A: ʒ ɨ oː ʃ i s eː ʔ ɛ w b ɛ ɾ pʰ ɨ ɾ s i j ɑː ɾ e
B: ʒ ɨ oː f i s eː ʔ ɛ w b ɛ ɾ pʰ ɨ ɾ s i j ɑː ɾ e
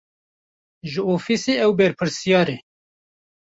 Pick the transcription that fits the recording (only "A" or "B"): B